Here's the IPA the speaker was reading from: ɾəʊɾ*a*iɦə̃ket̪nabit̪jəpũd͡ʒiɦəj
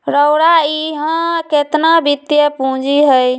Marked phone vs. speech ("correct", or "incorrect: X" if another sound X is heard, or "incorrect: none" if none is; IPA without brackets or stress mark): correct